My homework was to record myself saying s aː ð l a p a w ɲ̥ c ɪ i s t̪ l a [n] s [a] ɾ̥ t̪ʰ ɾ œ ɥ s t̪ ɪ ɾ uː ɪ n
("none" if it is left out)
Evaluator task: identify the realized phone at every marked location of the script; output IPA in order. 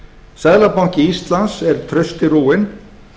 n, ɛ

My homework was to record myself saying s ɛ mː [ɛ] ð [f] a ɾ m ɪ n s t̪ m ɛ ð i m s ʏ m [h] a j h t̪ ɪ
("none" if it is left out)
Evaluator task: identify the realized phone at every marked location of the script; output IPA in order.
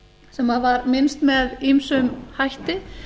a, v, h

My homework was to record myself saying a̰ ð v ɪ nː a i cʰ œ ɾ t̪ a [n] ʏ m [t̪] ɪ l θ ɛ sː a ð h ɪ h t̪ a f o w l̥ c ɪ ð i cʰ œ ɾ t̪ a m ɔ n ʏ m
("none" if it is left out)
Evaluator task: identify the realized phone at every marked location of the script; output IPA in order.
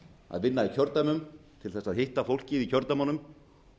m, t̪ʰ

